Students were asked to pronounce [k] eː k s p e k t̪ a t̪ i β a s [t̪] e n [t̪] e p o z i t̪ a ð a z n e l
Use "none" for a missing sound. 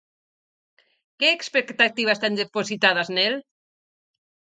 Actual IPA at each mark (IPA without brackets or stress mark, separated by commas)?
k, t̪, d̪